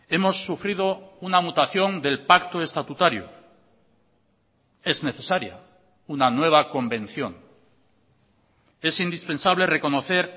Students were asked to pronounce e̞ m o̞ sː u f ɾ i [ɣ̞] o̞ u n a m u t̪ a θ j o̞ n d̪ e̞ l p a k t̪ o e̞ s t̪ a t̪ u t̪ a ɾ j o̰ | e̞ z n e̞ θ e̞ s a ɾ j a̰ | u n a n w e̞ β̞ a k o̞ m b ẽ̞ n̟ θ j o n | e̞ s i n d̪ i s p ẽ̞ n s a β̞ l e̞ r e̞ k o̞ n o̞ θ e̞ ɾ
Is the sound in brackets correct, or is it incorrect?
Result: incorrect